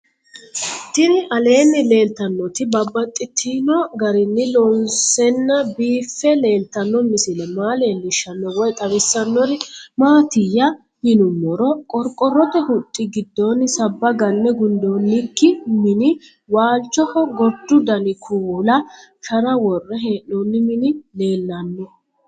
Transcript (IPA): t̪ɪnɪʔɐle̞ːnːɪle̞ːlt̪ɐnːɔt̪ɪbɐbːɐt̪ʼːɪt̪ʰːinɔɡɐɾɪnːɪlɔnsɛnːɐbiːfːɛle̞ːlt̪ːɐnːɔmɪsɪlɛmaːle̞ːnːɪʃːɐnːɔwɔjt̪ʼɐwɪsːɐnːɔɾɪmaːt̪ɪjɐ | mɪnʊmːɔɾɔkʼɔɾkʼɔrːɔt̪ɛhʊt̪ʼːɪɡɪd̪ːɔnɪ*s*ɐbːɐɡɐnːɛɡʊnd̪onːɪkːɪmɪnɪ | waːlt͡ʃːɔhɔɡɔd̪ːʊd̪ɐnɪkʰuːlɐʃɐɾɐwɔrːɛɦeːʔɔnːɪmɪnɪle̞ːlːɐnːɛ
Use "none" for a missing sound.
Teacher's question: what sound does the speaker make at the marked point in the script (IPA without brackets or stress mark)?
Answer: s